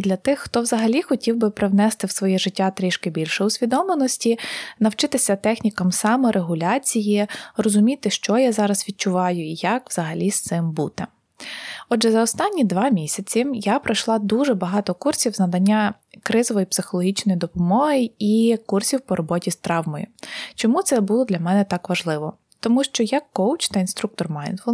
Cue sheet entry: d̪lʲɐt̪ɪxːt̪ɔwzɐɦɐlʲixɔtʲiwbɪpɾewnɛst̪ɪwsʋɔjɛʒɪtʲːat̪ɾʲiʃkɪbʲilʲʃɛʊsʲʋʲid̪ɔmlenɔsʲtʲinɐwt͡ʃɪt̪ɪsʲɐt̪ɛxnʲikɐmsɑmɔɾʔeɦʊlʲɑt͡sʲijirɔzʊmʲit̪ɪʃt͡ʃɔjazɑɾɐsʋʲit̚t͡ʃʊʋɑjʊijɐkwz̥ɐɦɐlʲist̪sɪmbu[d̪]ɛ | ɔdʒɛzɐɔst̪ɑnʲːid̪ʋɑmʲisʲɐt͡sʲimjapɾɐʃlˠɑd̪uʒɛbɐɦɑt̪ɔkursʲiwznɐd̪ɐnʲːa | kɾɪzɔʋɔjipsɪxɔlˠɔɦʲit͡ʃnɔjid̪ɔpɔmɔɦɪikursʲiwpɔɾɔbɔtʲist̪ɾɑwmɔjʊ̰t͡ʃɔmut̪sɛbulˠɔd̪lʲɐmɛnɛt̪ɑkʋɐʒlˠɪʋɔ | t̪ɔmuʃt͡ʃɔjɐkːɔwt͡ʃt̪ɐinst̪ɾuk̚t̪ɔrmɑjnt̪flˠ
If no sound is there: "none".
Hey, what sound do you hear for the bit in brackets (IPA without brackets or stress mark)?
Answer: t̪